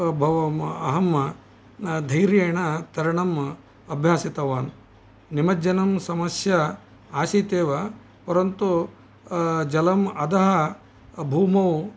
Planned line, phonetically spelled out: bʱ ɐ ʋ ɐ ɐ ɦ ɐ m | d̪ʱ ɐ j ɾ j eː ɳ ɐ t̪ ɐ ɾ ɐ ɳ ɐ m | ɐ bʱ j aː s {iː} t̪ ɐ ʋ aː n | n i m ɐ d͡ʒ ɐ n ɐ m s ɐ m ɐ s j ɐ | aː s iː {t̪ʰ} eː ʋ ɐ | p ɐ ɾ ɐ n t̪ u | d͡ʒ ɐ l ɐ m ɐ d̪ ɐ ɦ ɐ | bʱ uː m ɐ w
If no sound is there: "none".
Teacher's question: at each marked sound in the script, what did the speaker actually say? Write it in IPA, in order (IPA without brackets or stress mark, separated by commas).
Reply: i, t̪